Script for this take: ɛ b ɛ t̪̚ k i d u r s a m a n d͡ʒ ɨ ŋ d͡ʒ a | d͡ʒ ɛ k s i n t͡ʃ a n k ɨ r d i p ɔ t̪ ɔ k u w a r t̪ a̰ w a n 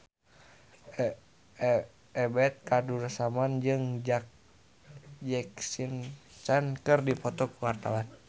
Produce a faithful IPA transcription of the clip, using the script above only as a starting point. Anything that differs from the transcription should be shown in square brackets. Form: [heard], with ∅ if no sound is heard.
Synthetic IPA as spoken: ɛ b ɛ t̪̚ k [a] d u r s a m a n d͡ʒ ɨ ŋ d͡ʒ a | d͡ʒ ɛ k s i n t͡ʃ a n k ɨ r d i p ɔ t̪ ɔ k u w a r t̪ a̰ w a n